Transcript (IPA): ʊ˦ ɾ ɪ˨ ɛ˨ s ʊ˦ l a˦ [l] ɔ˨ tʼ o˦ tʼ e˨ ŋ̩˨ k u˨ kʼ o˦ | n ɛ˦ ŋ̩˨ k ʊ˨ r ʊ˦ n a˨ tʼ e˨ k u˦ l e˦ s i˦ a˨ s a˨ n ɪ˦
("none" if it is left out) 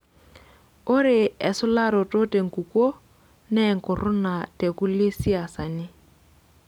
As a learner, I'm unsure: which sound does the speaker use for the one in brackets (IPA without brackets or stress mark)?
ɾ